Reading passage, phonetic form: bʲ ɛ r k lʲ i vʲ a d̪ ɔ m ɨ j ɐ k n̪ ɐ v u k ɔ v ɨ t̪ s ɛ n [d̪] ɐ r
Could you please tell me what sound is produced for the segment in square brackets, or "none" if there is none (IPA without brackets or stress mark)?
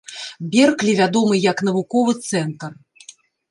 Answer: t̪